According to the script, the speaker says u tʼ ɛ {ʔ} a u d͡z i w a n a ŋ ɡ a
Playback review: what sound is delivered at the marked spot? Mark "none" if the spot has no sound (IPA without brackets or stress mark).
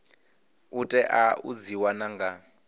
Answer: ʔ